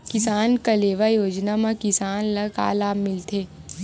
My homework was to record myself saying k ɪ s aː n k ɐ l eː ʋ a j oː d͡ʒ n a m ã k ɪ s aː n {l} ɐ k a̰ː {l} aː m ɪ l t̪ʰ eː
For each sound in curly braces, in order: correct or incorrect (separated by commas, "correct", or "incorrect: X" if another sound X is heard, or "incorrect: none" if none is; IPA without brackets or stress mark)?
correct, correct